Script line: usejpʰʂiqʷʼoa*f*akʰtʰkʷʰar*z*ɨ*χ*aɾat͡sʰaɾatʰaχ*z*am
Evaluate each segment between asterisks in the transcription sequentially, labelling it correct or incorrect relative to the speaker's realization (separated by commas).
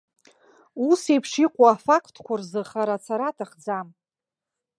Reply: correct, correct, correct, incorrect